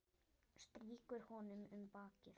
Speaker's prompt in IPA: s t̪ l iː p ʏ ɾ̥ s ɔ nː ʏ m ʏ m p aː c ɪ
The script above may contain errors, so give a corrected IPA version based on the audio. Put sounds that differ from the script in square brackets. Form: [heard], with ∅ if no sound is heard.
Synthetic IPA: s t̪ [ɾ] iː [k] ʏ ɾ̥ [h] ɔ [n] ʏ m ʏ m p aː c ɪ